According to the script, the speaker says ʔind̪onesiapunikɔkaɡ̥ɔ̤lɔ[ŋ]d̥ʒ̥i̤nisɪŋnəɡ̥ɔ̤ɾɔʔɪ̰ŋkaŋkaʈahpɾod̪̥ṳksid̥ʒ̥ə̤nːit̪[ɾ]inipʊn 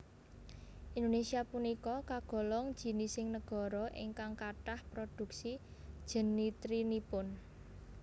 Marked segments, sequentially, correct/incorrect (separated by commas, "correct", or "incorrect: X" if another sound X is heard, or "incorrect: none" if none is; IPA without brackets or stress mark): correct, correct